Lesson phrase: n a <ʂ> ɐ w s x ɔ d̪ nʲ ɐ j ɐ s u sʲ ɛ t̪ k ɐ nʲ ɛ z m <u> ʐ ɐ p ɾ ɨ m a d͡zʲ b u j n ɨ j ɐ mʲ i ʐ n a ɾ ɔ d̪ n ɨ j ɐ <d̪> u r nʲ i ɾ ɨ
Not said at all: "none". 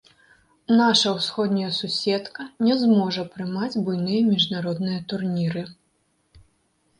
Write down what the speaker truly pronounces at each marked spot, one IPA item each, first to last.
ʂ, ɔ, t̪

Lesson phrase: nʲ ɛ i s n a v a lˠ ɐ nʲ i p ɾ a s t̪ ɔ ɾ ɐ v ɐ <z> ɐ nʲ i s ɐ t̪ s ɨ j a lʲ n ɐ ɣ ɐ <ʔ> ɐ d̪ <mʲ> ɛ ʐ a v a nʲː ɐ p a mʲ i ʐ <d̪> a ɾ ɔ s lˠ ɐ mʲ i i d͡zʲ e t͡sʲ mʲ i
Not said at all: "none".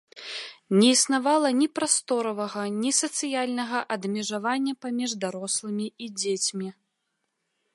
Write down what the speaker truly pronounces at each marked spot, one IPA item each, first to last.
ɣ, ʔ, mʲ, d̪

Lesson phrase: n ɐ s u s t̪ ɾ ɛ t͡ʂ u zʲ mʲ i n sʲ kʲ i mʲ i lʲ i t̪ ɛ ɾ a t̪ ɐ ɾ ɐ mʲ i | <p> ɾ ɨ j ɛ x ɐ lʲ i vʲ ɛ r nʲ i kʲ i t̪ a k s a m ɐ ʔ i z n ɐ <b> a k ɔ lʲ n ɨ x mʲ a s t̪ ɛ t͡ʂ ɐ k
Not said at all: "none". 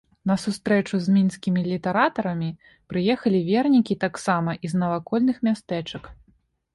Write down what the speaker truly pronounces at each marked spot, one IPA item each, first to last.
p, v

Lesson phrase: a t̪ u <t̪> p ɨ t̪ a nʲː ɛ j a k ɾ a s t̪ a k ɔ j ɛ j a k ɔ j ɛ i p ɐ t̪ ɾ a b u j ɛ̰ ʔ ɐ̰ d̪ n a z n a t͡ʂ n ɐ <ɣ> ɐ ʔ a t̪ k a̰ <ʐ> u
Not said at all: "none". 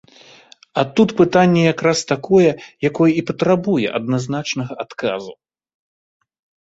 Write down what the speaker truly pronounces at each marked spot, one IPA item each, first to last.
t̪, ɣ, z

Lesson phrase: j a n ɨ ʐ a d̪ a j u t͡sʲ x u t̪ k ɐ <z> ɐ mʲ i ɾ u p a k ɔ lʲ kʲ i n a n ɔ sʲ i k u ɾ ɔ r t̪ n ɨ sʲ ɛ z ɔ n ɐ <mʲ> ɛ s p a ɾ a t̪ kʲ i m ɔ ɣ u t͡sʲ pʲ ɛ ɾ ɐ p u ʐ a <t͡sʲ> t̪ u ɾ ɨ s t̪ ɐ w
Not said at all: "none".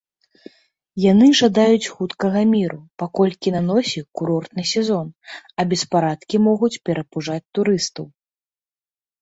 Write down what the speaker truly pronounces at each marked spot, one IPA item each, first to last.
ɣ, bʲ, t͡sʲ

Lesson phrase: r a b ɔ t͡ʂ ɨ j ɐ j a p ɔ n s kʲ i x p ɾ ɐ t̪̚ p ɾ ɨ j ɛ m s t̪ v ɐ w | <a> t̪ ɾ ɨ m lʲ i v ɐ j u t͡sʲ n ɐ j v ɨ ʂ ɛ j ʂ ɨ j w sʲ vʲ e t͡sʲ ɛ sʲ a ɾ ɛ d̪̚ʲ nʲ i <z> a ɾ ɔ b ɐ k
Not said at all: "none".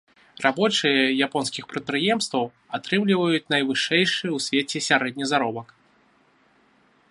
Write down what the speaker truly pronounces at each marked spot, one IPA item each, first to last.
a, z

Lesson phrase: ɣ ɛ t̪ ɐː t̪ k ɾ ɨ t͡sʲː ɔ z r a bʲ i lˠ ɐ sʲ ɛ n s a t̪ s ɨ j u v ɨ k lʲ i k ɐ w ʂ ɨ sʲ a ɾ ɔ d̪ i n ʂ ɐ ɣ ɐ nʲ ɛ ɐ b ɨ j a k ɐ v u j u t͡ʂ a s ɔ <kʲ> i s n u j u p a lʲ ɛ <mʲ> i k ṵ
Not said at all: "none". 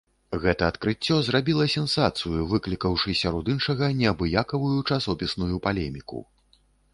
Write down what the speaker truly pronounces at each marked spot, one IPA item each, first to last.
pʲ, mʲ

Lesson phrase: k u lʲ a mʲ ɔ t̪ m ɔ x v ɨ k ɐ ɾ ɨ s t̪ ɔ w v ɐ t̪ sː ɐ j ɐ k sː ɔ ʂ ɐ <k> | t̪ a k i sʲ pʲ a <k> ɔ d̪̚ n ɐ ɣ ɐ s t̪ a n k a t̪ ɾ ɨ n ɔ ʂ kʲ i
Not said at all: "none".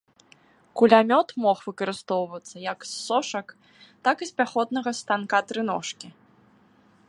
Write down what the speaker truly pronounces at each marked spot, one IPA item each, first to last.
k, x

